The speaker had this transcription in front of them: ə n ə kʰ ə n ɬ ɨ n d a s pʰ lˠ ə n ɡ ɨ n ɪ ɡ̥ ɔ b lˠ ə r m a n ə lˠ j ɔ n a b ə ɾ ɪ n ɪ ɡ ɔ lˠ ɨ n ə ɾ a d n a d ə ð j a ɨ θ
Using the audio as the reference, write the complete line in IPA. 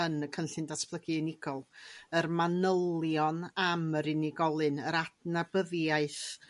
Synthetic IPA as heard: ə n ə kʰ ə n ɬ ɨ n d a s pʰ lˠ ə ɡ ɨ n ɪ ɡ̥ ɔ lˠ ə r m a n ə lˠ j ɔ n a m ə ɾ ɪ n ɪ ɡ ɔ lˠ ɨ n ə ɾ a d n a b ə ð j a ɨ θ